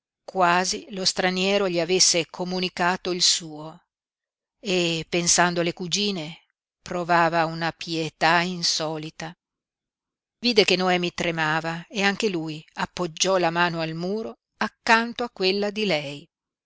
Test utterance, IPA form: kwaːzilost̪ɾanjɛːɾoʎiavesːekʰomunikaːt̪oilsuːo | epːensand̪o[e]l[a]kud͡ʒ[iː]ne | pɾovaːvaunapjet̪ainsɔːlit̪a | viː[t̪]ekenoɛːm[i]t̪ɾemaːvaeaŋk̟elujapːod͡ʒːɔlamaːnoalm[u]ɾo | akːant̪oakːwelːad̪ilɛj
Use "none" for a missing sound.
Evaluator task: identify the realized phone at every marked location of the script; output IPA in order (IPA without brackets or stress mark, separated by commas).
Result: a, e, iː, d̪, i, uː